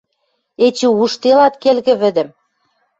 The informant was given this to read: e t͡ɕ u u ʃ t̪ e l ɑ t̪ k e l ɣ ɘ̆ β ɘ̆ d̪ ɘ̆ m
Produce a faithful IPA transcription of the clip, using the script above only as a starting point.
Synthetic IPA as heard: e t͡ɕ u u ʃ t̪ e l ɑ t̪ k e l ɣ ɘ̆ β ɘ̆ d̪ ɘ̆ m